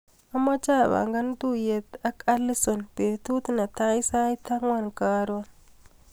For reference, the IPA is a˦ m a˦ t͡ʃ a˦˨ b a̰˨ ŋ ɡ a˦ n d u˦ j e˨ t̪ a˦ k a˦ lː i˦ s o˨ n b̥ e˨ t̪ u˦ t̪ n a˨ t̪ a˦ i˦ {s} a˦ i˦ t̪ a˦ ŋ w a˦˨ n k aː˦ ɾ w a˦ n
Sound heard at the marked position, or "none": s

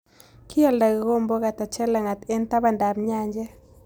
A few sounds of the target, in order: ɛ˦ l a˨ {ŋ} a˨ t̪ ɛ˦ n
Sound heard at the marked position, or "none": ŋ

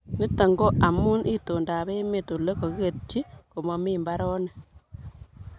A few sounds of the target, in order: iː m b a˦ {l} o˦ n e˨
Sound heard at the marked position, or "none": ɾ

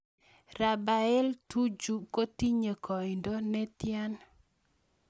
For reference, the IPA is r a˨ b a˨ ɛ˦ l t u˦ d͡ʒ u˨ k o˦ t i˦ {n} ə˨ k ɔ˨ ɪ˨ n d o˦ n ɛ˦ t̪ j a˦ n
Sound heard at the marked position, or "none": ɲ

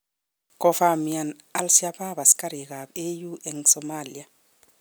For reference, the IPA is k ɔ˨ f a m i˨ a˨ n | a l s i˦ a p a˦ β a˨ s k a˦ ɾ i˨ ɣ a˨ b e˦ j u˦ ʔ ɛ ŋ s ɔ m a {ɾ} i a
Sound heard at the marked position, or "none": l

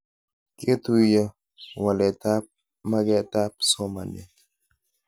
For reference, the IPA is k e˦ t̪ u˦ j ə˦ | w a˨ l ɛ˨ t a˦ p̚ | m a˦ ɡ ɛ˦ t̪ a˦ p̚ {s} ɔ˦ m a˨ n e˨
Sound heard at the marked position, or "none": s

